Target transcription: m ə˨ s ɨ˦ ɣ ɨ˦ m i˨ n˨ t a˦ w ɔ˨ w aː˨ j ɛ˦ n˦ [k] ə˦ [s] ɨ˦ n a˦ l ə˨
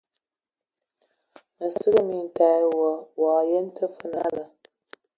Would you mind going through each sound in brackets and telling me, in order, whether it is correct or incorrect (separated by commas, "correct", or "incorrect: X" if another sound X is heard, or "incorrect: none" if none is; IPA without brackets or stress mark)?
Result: incorrect: t, incorrect: f